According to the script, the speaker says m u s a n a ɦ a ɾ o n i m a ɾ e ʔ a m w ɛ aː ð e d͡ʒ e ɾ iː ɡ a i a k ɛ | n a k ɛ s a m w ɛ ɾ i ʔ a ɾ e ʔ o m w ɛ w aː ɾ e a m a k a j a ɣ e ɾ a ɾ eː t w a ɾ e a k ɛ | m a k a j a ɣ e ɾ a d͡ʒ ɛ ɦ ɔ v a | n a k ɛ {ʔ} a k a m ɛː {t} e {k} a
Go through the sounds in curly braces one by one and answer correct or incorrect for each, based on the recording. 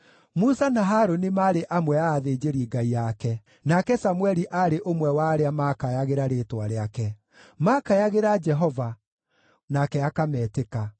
incorrect: none, correct, correct

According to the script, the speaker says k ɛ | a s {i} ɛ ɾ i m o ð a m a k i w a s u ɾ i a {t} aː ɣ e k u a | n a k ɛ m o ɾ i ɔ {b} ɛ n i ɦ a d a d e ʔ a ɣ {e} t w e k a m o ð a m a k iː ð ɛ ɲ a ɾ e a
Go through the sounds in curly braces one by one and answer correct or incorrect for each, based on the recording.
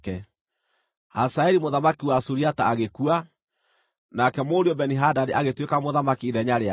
incorrect: a, correct, correct, correct

